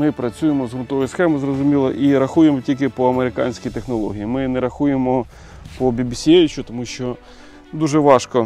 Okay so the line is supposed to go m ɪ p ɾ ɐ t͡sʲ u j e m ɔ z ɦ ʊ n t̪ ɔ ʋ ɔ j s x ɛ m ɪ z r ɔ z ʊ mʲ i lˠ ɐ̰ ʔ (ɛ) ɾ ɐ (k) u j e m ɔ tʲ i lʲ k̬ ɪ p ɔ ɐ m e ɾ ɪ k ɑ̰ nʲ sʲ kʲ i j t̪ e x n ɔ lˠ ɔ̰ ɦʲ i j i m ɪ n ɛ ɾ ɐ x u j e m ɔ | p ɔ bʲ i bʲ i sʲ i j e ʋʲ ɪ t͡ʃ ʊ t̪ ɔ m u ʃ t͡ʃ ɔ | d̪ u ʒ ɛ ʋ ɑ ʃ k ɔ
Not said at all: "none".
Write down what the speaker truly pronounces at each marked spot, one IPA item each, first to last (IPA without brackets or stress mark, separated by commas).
i, x